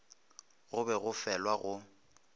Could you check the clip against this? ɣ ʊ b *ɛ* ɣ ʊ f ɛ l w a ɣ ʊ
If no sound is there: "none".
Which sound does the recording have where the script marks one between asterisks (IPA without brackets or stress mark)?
ɛ